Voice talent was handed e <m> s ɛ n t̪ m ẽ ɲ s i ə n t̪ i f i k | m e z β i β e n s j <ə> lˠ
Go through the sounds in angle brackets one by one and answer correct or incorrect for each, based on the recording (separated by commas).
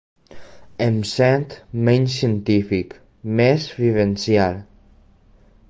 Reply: correct, incorrect